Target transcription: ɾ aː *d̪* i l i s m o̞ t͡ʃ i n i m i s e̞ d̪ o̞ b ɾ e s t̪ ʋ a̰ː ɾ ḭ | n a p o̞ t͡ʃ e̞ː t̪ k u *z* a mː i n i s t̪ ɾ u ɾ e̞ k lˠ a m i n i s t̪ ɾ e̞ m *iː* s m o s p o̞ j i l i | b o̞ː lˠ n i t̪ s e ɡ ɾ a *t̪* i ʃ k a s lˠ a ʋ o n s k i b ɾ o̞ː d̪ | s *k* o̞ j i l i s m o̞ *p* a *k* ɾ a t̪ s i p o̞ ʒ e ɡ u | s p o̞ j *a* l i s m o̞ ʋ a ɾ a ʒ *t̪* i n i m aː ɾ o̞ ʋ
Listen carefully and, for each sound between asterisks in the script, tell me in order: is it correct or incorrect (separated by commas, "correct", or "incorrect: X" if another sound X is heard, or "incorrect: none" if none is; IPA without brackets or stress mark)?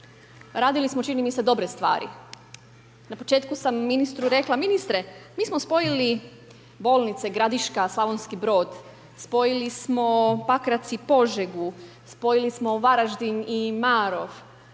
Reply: correct, incorrect: s, correct, incorrect: d̪, incorrect: p, correct, correct, incorrect: i, incorrect: d̪